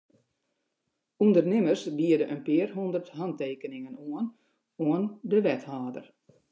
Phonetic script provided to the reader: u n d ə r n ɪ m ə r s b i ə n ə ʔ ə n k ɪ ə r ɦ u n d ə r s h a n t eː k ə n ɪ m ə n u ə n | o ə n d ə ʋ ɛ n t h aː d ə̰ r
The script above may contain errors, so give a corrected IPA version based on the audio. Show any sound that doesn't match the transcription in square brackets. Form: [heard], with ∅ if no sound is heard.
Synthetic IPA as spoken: u n d ə r n ɪ m ə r s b i ə [d] ə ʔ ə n [p] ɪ ə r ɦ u n d ə r [t] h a n t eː k ə n ɪ [ŋ] ə n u ə n | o ə n d ə ʋ ɛ [∅] t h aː d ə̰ r